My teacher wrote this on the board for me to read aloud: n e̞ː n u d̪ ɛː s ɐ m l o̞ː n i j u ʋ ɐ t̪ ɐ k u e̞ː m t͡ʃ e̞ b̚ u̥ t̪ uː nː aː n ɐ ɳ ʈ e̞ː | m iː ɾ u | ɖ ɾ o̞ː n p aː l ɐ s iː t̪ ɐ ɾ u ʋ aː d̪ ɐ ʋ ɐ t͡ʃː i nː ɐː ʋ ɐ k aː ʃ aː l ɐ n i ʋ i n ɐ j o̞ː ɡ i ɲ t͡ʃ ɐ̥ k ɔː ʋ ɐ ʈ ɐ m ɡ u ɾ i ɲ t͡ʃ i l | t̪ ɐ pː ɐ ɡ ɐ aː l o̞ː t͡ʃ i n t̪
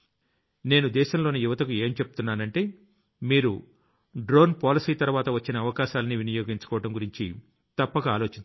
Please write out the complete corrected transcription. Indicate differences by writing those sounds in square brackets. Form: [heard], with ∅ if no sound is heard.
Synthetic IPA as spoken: n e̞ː n u d̪ ɛː [ʃ] ɐ m l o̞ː n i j u ʋ ɐ t̪ ɐ k u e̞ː m t͡ʃ e̞ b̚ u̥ t̪ [u] nː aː n ɐ ɳ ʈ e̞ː | m iː ɾ u | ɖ ɾ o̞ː n p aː l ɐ s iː t̪ ɐ ɾ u ʋ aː [t̪] ɐ ʋ ɐ t͡ʃː i [n] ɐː ʋ ɐ k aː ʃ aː l ɐ n i ʋ i n ɐ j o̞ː ɡ i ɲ t͡ʃ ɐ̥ k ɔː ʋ ɐ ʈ ɐ m ɡ u ɾ i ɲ t͡ʃ i [∅] | t̪ ɐ pː ɐ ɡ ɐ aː l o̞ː t͡ʃ i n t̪